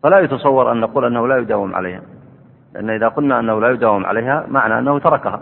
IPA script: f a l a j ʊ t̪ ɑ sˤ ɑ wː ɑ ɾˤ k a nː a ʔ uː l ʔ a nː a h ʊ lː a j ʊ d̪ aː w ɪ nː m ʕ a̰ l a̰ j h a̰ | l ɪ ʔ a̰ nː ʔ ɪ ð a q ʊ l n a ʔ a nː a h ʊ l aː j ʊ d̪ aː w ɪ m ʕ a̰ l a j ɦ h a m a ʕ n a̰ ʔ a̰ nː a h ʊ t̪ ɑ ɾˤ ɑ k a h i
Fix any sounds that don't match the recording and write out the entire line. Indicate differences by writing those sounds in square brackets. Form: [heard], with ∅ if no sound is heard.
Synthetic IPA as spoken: f a l a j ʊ t̪ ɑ sˤ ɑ wː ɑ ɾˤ [ʔ] a nː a [q] uː l ʔ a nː a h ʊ [l] a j ʊ d̪ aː w ɪ [∅] m ʕ a̰ l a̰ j h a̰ | l ɪ ʔ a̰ nː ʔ ɪ ð a q ʊ l n a ʔ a nː a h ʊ l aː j ʊ d̪ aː w ɪ m ʕ a̰ l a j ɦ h a m a ʕ n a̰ ʔ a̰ nː a h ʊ t̪ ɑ ɾˤ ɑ k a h [a]